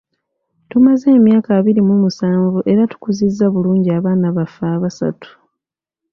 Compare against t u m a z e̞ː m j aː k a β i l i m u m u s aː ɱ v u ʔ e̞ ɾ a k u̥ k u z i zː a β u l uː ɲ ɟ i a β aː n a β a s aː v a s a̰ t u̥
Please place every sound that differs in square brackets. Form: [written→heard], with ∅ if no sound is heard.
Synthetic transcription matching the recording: t u m a z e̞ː m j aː k a β i [l→ɾ] i m u m u s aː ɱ v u ʔ e̞ ɾ a [k→t] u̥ k u z i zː a β u l uː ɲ ɟ i a β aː n a β a [s→f] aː [v→β] a s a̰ t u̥